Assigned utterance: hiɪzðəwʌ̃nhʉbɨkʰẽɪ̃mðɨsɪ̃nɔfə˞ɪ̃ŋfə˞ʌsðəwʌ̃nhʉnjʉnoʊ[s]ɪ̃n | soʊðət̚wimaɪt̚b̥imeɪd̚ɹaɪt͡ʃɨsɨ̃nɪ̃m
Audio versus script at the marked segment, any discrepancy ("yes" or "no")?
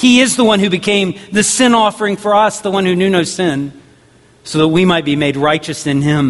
no